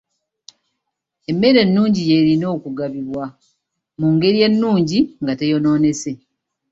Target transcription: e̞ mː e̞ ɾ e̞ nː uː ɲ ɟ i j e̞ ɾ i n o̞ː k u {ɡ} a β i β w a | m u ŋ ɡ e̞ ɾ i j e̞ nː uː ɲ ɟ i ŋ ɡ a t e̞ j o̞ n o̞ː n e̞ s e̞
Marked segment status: correct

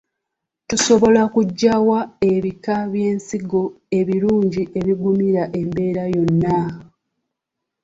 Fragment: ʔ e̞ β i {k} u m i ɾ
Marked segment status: incorrect: ɡ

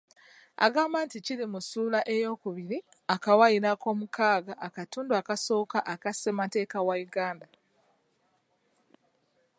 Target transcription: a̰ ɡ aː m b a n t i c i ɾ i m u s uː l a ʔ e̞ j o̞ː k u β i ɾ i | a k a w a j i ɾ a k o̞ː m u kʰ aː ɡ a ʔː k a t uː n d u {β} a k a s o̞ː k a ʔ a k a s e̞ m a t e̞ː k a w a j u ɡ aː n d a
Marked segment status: incorrect: none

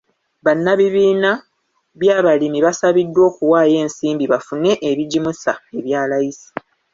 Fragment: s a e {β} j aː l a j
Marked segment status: correct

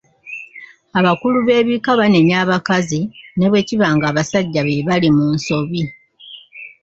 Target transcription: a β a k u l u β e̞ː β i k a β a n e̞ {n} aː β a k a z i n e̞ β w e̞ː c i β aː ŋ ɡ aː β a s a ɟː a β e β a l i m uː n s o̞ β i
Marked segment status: incorrect: ɲ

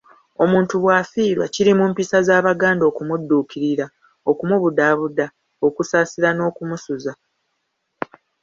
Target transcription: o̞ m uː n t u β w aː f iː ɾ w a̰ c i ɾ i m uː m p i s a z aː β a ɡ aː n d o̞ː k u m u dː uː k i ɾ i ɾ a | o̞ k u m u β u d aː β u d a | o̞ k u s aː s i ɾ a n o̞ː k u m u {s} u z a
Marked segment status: correct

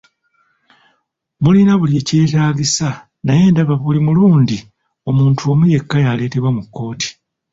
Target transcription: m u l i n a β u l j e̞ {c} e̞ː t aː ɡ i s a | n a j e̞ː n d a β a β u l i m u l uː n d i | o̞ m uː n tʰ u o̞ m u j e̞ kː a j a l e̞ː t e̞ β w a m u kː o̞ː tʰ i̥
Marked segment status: correct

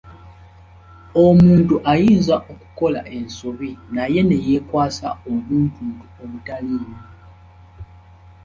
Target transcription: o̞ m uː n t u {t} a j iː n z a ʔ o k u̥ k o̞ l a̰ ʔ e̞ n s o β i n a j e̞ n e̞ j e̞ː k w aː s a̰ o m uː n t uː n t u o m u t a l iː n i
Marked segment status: incorrect: ʔ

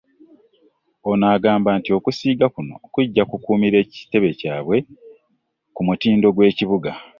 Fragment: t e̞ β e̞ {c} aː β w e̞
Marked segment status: correct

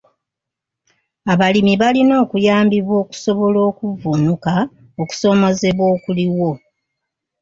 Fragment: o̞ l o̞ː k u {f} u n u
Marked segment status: incorrect: v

